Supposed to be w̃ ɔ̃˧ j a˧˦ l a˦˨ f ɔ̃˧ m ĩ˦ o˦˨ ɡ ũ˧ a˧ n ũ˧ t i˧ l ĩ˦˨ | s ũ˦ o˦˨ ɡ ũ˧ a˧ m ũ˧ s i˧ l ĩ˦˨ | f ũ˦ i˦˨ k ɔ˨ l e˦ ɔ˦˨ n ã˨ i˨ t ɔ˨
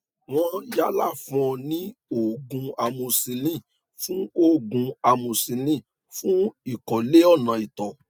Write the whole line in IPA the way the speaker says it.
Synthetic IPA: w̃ ɔ̃˧ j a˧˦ l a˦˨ f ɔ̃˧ n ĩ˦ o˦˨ ɡ ũ˧ a˧ m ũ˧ s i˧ l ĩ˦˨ | f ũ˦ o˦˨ ɡ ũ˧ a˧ m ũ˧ s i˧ l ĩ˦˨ | f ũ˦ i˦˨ k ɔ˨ l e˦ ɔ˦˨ n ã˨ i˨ t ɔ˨